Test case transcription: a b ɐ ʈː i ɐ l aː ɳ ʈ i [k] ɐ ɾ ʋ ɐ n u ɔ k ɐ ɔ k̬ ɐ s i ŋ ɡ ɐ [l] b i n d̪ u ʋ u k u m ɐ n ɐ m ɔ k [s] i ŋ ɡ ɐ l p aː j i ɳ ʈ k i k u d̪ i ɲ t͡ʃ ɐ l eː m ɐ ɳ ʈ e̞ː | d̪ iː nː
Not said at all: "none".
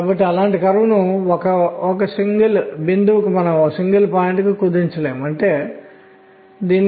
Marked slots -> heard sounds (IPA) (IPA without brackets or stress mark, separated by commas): k, l, s